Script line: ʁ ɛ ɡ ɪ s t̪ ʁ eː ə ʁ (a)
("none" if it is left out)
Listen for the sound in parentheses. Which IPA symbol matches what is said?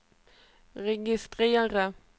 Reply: ə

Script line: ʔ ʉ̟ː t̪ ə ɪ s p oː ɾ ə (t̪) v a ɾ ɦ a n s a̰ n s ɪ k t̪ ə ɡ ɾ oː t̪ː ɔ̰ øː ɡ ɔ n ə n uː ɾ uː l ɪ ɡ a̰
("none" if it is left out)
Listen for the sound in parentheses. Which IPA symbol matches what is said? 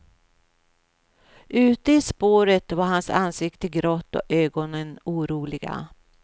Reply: t̪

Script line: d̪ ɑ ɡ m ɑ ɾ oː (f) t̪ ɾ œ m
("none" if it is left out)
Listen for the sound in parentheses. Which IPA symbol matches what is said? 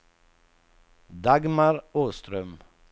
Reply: s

